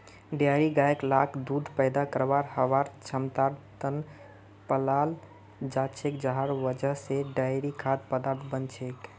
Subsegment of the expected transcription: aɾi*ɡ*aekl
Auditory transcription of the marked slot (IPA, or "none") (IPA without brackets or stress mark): ɡ